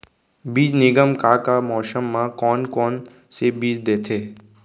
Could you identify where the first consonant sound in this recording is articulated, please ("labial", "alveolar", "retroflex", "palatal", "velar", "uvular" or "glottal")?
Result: labial